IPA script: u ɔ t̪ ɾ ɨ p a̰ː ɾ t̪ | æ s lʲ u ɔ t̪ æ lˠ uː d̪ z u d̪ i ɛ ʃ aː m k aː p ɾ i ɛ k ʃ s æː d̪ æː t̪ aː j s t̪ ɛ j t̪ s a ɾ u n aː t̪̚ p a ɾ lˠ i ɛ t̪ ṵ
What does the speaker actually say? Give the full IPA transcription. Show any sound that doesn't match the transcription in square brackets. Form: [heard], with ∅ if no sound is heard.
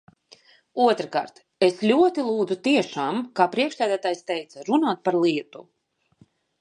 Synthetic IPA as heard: u ɔ t̪ ɾ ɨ [k] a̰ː ɾ t̪ | [e] s lʲ u ɔ t̪ [i] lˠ uː d̪ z u [t̪] i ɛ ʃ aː m k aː p ɾ i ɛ k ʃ s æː d̪ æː t̪ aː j s t̪ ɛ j t̪ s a ɾ u n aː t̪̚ p a ɾ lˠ i ɛ t̪ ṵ